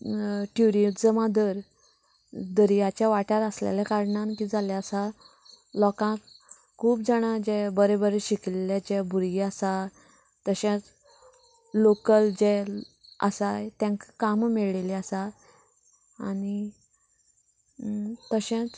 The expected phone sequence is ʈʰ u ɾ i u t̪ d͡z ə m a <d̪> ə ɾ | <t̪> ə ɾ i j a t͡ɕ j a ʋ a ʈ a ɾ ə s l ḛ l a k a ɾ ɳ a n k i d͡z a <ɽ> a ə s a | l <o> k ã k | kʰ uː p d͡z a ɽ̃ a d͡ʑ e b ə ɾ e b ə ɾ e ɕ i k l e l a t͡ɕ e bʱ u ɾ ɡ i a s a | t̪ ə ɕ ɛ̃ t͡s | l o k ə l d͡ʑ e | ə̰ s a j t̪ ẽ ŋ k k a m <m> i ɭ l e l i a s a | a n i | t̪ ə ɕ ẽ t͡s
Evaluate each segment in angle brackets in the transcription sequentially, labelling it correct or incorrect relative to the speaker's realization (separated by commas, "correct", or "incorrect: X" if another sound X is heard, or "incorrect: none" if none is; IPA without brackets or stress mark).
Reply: correct, incorrect: d̪, incorrect: l, incorrect: ɔ, correct